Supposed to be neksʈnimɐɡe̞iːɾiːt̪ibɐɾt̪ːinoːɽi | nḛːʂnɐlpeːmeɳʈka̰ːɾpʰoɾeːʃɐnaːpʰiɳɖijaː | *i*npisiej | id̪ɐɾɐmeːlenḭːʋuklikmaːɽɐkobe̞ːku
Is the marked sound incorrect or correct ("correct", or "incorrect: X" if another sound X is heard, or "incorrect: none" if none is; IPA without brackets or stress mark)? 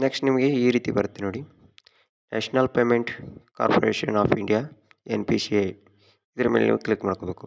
incorrect: e